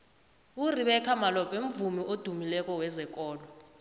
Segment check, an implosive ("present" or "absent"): present